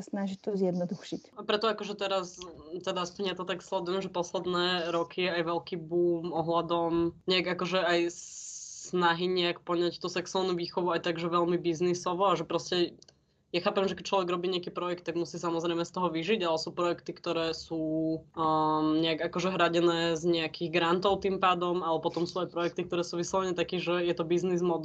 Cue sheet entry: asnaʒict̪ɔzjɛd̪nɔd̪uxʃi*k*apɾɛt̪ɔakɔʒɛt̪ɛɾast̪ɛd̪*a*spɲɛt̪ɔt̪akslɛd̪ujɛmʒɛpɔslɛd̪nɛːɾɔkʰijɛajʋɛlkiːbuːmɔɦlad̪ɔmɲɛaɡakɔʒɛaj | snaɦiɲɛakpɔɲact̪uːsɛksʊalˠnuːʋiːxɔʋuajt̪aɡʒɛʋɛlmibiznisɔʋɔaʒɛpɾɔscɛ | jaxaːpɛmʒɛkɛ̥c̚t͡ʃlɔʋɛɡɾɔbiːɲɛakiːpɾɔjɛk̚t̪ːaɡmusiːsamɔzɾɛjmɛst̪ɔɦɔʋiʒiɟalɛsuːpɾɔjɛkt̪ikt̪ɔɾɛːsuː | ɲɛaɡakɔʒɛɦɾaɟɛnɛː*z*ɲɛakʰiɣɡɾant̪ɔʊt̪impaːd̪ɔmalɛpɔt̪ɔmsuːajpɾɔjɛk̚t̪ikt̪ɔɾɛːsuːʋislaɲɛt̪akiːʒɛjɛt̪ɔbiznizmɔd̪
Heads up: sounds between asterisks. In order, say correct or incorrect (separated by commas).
incorrect, correct, correct